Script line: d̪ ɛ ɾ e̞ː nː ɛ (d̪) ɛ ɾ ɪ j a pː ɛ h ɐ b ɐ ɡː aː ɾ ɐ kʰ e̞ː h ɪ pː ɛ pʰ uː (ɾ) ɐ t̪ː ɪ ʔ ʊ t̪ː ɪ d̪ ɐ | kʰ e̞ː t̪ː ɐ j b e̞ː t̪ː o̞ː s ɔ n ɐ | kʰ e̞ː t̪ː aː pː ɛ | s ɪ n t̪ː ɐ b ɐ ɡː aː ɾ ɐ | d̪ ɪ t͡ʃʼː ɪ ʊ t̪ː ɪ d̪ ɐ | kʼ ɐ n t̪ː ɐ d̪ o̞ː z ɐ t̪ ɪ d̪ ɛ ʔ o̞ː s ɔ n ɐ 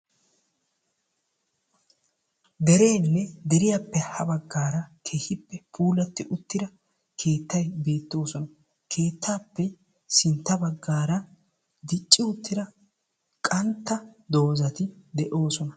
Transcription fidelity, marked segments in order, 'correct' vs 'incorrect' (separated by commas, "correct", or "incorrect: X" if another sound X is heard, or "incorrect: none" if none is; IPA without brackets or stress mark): correct, incorrect: l